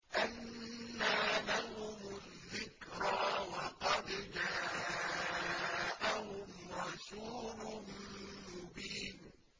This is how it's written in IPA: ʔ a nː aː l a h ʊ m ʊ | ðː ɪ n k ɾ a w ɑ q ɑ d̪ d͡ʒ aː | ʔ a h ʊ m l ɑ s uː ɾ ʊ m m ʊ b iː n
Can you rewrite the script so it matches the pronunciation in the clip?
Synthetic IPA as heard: ʔ a nː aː l a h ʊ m ʊ | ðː ɪ k ɾ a w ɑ q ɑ d̪ d͡ʒ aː | ʔ a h ʊ m ɾ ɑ s uː l ʊ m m ʊ b iː n

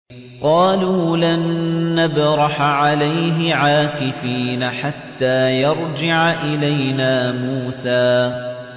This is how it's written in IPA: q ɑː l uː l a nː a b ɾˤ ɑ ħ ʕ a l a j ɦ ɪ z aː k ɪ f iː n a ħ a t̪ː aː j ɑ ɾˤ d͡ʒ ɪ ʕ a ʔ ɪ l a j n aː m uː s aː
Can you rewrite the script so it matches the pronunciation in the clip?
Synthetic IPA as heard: q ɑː l uː l a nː a b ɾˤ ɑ ħ ʕ a l a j ɦ ɪ ʕ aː k ɪ f iː n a ħ a t̪ː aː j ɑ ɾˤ d͡ʒ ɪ ʕ a ʔ ɪ l a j n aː m uː s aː

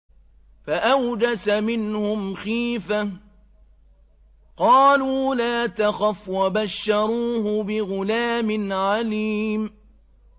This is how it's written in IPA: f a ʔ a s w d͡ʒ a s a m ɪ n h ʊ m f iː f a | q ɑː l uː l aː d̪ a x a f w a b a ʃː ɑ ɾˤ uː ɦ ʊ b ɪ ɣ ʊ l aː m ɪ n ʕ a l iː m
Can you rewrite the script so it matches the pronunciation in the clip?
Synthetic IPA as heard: f a ʔ a w d͡ʒ a s a m ɪ n h ʊ m x iː f a | q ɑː l uː l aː t̪ a x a f w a b a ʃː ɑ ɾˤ uː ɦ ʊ b ɪ ɣ ʊ l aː m ɪ n ʕ a l iː m

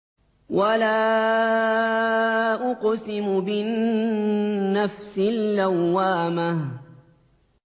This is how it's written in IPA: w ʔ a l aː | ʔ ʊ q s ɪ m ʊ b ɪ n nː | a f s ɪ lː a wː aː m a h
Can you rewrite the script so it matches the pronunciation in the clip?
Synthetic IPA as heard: w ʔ a l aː | ʔ ʊ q s ɪ m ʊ b ɪ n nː | a f s ɪ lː a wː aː m a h

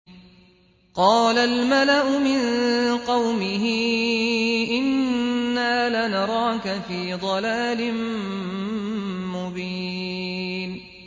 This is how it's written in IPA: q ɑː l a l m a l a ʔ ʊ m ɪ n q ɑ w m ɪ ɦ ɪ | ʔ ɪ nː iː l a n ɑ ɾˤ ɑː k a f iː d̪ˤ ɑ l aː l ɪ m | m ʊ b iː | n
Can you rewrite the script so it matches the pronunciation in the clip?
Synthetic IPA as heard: q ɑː l a l m a l a ʔ ʊ m ɪ n q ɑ w m ɪ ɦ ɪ | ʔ ɪ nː aː l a n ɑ ɾˤ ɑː k a f iː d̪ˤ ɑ l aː l ɪ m | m ʊ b iː | n

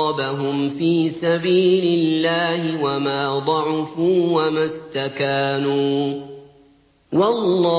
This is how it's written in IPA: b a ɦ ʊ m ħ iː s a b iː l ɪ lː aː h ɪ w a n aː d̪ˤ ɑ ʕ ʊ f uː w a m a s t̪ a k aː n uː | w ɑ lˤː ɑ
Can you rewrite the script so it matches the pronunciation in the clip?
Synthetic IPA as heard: b a ɦ ʊ m f iː s a b iː l ɪ lː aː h ɪ w a m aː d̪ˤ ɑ ʕ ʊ f uː w a m a s t̪ a k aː n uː | w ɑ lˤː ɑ

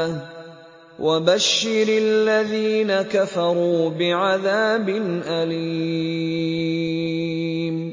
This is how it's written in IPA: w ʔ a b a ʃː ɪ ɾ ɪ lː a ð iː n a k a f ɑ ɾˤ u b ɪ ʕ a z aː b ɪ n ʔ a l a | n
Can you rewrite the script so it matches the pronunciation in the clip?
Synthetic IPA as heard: w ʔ a b a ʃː ɪ ɾ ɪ lː a ð iː n a k a f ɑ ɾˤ uː b ɪ ʕ a ð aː b ɪ n ʔ a l i | m

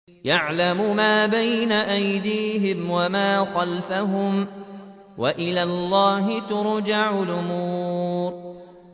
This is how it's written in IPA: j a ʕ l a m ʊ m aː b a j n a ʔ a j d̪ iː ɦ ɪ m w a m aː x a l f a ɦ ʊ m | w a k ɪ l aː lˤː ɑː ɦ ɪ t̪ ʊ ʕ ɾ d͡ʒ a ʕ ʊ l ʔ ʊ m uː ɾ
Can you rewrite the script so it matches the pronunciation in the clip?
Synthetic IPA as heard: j a ʕ l a m ʊ m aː b a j n a ʔ a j d̪ iː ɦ ɪ m w a m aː x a l f a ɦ ʊ m | w a ʔ ɪ l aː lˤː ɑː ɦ ɪ t̪ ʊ ɾ d͡ʒ a ʕ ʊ l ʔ ʊ m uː ɾ

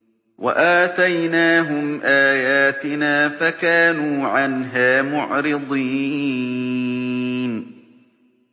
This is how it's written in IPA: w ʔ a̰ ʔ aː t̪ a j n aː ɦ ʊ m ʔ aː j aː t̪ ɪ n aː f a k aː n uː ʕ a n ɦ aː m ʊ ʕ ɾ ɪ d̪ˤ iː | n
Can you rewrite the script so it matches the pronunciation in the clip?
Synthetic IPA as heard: w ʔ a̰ ʔ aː t̪ a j n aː ɦ ʊ m ʔ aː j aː t̪ ɪ n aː f a k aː n uː ʕ a n ɦ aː m ʊ ʕ ɾ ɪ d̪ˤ iː | n

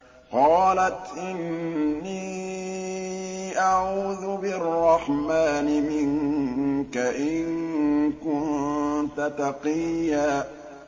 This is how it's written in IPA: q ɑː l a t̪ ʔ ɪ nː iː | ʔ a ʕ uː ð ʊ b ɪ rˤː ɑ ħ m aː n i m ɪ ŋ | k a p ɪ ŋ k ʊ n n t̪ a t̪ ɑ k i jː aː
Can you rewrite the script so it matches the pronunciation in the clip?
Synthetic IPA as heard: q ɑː l a t̪ ʔ ɪ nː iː | ʔ a ʕ uː ð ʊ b ɪ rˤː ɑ ħ m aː n ɪ m ɪ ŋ | k a ʔ ɪ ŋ k ʊ n n t̪ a t̪ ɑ q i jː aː

